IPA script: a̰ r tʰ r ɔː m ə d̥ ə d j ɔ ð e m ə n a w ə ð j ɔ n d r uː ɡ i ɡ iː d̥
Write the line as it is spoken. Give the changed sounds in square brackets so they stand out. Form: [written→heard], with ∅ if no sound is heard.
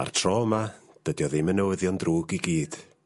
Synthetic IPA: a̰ r tʰ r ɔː m [ə→a] d̥ ə d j ɔ ð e m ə n [a→ə] w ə ð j ɔ n d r uː ɡ i ɡ iː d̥